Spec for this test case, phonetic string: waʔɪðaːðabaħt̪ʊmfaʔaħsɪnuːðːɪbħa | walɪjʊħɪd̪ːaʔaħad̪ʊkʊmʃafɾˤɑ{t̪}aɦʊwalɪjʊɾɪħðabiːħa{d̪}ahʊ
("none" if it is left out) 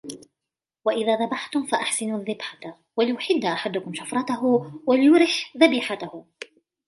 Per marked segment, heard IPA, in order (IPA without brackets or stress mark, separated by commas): t̪, t̪